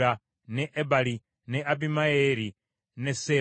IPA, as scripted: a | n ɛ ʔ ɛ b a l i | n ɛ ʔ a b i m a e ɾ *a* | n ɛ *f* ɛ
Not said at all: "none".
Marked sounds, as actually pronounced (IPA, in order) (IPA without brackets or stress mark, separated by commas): i, s